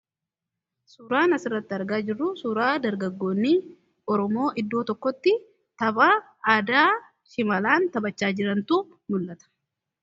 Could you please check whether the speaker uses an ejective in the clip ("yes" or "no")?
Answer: no